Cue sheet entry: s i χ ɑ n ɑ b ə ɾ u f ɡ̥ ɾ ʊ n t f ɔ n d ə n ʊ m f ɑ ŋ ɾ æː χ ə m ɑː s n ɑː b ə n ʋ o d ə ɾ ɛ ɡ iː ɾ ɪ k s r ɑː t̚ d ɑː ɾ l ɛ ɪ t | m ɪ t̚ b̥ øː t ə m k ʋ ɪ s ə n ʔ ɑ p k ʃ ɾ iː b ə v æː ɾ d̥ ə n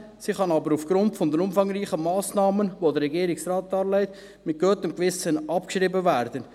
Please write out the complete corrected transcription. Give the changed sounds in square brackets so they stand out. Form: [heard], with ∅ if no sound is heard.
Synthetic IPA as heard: s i χ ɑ n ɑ b ə ɾ u f ɡ̥ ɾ ʊ n t f ɔ n d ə n ʊ m f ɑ ŋ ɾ [iː] χ ə m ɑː s n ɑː [m] ə n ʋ o d ə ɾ ɛ ɡ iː ɾ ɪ k s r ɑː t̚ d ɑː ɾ l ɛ ɪ t | m ɪ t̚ [ɡ̥] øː t ə m k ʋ ɪ s ə n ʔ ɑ p k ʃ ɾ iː b ə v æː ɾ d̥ ə n

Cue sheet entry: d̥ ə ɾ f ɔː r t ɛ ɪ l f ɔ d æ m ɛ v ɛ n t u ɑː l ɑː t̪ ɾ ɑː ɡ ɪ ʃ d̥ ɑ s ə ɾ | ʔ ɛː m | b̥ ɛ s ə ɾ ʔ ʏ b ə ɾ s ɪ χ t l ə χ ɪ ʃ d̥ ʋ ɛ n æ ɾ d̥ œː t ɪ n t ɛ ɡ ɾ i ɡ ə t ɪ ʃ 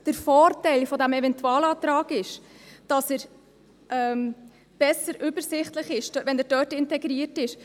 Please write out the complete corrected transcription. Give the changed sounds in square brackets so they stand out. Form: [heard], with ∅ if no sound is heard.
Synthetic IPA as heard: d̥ ə ɾ f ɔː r t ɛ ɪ l f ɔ d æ m ɛ v ɛ n t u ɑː l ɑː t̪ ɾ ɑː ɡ ɪ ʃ d̥ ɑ s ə ɾ | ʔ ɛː m | b̥ ɛ s ə ɾ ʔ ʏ b ə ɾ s ɪ χ t l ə χ ɪ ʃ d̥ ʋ ɛ n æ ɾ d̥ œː t ɪ n t ɛ ɡ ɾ i [∅] ə t ɪ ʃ

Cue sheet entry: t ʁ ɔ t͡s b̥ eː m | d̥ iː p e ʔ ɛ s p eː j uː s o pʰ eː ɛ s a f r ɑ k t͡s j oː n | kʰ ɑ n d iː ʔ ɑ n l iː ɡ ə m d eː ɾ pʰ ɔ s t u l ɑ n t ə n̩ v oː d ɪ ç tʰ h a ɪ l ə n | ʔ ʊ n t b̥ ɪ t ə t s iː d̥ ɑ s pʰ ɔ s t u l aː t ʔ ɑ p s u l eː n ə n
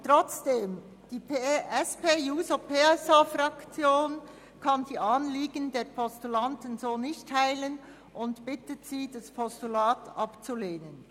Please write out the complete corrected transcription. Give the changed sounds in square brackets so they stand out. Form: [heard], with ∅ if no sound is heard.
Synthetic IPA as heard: t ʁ ɔ t͡s [d̥] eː m | d̥ iː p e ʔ ɛ s p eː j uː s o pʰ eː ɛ s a f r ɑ k t͡s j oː n | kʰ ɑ n d iː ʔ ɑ n l iː ɡ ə [n] d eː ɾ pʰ ɔ s t u l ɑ n t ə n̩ [z] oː [n] ɪ ç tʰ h a ɪ l ə n | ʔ ʊ n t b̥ ɪ t ə t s iː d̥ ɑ s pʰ ɔ s t u l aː t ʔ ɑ p [t͡s] u l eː n ə n

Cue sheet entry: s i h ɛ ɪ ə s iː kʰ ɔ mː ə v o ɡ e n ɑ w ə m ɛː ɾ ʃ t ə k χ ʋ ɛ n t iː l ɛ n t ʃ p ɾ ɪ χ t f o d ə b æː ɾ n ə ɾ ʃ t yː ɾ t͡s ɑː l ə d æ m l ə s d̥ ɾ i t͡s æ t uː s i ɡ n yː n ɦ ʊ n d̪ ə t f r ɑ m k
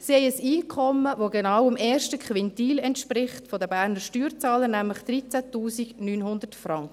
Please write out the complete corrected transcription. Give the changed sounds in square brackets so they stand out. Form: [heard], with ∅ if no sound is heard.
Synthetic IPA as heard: s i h ɛ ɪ ə s iː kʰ ɔ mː ə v o ɡ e n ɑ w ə m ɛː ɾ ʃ t ə k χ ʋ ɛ n t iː l ɛ n t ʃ p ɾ ɪ χ t f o d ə b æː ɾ n ə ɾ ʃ t yː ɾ t͡s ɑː l ə [n] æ m l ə [χ] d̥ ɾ i t͡s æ t uː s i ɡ n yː n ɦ ʊ n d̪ ə t f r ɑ [ŋ] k

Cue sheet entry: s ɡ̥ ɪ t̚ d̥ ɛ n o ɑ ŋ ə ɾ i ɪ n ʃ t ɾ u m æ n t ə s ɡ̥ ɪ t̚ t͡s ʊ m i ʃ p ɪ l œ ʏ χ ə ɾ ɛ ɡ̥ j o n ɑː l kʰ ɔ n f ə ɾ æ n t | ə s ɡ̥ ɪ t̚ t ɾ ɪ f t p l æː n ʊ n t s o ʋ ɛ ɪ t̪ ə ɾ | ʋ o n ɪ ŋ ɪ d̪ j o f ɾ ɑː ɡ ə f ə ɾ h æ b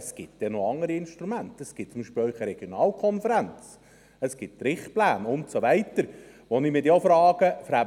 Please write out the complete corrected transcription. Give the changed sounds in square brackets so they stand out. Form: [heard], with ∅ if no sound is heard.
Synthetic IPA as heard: s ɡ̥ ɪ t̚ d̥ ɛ n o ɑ ŋ ə ɾ i ɪ n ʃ t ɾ u m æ n t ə s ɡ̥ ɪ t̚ t͡s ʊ m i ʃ p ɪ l œ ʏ χ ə ɾ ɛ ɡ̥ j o n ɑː l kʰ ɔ n f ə ɾ æ n [t͡s] | ə s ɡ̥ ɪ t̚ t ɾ ɪ [χ] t p l æː n ʊ n t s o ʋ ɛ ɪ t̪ ə ɾ | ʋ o n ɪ [m] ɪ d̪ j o f ɾ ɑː ɡ ə f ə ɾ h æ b

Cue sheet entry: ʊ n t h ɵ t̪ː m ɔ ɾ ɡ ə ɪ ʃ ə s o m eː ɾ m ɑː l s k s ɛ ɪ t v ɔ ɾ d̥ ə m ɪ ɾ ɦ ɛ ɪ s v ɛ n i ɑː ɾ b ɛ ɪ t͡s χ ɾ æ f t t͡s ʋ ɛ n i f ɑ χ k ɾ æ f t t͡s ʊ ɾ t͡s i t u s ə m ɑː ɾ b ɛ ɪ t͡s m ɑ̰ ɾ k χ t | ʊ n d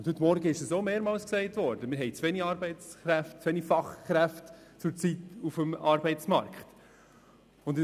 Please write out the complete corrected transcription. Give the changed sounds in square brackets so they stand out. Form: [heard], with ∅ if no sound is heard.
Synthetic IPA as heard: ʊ n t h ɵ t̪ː m ɔ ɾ ɡ ə ɪ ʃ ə s o m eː ɾ m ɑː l s k s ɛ ɪ t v ɔ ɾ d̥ ə m ɪ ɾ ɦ ɛ ɪ [t͡s] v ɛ n i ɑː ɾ b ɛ ɪ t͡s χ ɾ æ f t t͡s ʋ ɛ n i f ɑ χ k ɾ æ f t t͡s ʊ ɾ t͡s i t u [f] ə m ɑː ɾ b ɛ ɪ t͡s m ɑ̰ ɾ k χ t | ʊ n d

